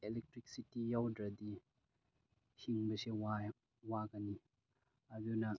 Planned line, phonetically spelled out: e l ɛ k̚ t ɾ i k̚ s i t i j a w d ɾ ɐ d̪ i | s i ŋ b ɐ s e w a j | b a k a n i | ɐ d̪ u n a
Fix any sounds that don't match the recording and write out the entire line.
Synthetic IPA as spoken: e l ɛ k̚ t ɾ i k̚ s i t i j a w d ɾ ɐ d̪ i | h i ŋ b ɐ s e w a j | w a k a n i | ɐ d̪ u n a